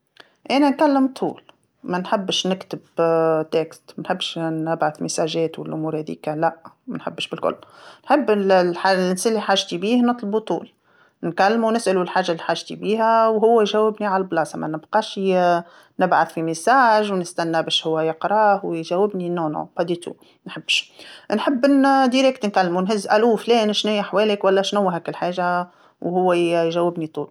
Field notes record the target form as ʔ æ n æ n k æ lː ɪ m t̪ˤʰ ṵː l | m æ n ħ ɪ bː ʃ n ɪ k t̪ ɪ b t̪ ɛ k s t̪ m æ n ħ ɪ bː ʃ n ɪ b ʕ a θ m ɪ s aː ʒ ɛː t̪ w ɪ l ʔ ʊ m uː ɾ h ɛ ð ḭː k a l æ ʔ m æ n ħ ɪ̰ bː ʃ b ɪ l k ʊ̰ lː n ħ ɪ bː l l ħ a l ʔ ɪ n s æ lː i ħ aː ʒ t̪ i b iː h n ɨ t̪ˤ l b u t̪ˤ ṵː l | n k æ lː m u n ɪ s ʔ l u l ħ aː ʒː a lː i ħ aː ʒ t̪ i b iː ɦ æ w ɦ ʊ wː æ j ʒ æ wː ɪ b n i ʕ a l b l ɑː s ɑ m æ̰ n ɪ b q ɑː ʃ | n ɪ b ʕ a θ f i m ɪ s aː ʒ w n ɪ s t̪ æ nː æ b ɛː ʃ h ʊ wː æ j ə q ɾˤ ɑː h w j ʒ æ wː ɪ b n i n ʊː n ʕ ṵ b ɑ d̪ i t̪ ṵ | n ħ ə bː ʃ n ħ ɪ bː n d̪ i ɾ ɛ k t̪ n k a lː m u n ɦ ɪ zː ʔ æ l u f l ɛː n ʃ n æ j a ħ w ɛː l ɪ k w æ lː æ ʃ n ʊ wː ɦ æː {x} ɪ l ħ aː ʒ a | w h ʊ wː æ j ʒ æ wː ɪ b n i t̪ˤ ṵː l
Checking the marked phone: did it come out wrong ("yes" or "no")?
yes